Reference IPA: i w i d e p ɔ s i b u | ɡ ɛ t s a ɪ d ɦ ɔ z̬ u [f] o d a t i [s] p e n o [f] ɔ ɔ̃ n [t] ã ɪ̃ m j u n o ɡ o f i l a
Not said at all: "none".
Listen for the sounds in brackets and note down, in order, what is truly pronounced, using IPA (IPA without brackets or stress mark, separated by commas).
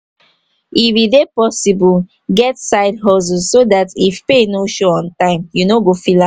s, f, ʃ, t